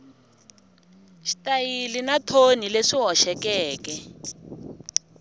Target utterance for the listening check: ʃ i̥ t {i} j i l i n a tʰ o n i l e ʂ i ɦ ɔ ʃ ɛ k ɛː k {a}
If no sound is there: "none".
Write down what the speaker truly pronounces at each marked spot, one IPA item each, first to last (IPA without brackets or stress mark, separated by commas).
a, ɛ